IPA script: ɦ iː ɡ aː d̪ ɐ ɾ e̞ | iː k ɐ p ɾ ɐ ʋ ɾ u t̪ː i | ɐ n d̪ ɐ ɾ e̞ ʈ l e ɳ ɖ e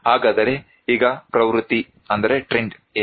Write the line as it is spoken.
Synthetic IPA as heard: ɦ aː ɡ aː d̪ ɐ ɾ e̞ | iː ɡ ɐ p ɾ ɐ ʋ ɾ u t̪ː i | ɐ n d̪ ɐ ɾ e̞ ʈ ɾ e ɳ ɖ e

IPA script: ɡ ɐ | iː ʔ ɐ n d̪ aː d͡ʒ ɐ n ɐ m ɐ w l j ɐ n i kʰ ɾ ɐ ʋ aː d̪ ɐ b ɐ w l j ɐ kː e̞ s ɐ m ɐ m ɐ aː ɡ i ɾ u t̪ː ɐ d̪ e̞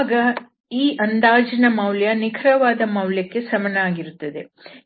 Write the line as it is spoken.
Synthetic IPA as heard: ɡ ɐ | iː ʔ ɐ n d̪ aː d͡ʒ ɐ n ɐ m ɐ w l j ɐ n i kʰ ɾ ɐ ʋ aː d̪ ɐ m ɐ w l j ɐ kː e̞ s ɐ m ɐ n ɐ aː ɡ i ɾ u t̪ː ɐ d̪ e̞

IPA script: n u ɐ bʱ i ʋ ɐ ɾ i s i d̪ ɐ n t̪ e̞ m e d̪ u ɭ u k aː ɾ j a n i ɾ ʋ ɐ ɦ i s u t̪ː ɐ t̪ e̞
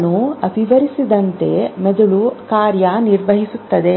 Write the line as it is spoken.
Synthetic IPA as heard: n u ɐ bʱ i ʋ ɐ ɾ i s i d̪ ɐ n t̪ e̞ m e d̪ u ɭ u k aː ɾ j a n i ɾ ʋ ɐ ɦ i s u t̪ː ɐ d̪ e̞

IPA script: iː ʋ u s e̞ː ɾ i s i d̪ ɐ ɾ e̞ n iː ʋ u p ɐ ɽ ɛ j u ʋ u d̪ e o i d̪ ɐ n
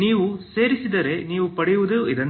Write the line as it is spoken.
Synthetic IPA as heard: iː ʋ u s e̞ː ɾ i s i d̪ ɐ ɾ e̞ n iː ʋ u p ɐ ɽ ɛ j u ʋ u d̪ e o i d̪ ɐ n

